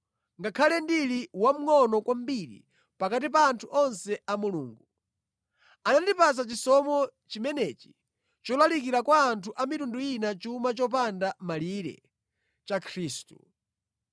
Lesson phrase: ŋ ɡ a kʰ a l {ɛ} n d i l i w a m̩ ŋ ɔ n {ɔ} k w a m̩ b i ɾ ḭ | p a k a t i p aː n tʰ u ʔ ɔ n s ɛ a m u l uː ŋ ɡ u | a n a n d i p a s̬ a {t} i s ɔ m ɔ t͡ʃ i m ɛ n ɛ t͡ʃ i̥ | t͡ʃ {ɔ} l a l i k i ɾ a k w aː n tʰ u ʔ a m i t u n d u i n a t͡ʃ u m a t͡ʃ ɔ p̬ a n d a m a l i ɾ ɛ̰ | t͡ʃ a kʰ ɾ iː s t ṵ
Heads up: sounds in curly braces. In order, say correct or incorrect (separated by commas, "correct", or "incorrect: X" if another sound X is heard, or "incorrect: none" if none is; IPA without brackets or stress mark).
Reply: correct, correct, incorrect: t͡ʃ, correct